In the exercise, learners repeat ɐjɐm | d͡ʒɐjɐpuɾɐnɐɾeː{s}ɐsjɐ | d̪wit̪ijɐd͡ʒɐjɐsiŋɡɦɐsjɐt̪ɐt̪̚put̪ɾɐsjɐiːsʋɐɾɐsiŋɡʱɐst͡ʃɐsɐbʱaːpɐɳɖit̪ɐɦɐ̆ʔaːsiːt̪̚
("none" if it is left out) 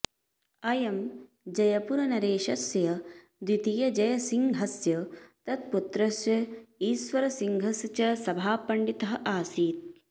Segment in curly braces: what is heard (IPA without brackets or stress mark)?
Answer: ʃ